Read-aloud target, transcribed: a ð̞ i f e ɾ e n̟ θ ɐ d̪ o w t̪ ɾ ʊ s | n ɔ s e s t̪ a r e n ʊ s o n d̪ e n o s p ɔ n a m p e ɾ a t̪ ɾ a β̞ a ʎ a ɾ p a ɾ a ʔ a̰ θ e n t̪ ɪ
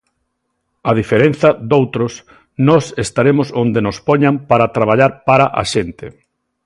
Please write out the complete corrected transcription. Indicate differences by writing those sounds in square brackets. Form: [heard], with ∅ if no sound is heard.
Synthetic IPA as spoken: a ð̞ i f e ɾ e n̟ θ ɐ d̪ o w t̪ ɾ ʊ s | n ɔ s e s t̪ a [ɾ] e [m] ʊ s o n d̪ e n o s p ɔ [ɲ] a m p [a] ɾ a t̪ ɾ a β̞ a ʎ a ɾ p a ɾ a ʔ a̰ [ʃ] e n t̪ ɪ